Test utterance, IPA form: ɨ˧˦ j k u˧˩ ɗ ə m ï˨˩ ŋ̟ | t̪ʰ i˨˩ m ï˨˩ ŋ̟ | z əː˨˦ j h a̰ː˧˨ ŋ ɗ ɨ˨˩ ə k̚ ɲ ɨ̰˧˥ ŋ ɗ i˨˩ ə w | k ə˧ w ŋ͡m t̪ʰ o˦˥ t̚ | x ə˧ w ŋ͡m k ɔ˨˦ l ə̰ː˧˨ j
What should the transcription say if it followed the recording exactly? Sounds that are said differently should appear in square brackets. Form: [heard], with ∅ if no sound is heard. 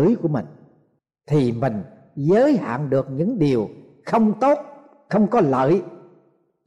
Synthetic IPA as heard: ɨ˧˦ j k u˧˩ [∅] ə m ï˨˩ ŋ̟ | t̪ʰ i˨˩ m ï˨˩ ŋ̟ | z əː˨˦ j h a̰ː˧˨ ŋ ɗ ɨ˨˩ ə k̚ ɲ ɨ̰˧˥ ŋ ɗ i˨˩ ə w | [x] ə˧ w ŋ͡m [t̪] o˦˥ t̚ | x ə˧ w ŋ͡m k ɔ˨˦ l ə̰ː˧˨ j